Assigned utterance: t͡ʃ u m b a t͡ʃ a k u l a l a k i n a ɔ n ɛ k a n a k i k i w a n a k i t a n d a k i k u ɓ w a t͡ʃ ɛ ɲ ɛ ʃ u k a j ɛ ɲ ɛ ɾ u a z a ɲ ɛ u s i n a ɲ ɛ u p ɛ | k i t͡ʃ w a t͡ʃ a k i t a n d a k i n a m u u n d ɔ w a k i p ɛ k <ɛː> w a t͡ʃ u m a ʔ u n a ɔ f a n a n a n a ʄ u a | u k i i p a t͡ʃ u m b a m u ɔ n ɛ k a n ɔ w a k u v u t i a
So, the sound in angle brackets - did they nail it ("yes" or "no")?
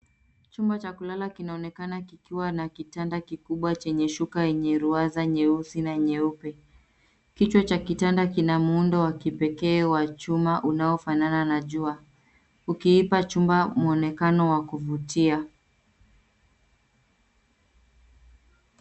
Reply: yes